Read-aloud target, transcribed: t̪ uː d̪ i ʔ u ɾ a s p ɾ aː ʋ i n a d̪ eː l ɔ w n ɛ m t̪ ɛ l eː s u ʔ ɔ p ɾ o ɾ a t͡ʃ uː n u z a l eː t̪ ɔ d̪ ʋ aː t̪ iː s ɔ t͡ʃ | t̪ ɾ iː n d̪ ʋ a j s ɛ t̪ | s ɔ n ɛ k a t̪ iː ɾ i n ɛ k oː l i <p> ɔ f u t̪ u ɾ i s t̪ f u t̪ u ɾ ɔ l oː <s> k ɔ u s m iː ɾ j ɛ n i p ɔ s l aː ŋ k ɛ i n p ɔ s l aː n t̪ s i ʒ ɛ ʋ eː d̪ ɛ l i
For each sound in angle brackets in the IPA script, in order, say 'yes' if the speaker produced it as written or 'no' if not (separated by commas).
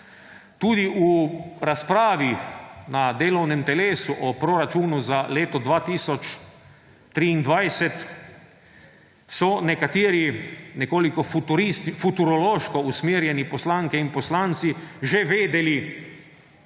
no, no